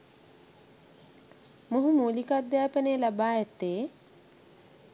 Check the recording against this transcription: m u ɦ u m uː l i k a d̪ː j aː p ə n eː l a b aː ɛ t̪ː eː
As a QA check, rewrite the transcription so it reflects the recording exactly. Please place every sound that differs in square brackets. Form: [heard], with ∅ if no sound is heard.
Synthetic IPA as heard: m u ɦ u m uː l i k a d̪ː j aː p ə n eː l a b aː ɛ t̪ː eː